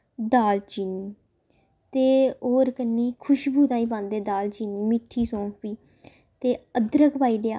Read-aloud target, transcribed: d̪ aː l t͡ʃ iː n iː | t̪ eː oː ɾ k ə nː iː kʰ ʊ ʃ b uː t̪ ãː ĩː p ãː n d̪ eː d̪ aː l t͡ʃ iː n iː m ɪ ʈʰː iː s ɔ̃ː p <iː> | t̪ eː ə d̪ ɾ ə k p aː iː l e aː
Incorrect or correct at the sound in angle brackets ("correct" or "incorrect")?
correct